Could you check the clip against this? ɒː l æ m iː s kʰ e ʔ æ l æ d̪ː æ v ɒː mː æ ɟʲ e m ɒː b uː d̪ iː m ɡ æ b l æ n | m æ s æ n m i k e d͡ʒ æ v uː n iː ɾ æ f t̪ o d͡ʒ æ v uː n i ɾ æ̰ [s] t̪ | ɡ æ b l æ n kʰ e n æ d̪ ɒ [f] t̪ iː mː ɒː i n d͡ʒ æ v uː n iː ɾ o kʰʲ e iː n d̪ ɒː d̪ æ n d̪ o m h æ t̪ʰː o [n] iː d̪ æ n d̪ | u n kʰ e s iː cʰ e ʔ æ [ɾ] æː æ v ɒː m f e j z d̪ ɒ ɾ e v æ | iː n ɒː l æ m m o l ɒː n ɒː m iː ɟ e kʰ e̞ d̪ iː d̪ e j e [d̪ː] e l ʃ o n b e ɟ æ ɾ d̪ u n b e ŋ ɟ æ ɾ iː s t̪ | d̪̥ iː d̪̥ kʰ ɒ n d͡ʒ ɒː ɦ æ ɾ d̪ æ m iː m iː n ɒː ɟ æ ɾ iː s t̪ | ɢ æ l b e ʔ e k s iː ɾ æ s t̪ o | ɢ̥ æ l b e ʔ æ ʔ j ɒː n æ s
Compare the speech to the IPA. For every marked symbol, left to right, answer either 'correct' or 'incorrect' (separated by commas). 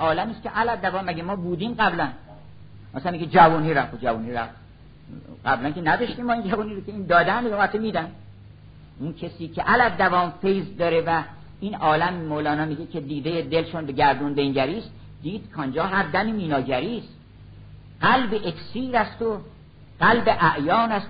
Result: incorrect, incorrect, incorrect, incorrect, incorrect